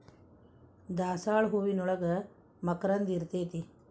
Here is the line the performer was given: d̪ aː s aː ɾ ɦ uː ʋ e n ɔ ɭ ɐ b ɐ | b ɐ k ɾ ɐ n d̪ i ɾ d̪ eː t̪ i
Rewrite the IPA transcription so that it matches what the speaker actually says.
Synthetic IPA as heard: d̪ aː s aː ɭ ɦ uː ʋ i n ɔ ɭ ɐ ɡ ɐ | m ɐ k ɾ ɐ n d̪ i ɾ t̪ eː t̪ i